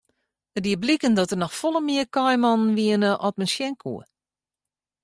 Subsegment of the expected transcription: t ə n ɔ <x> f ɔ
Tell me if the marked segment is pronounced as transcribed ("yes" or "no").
yes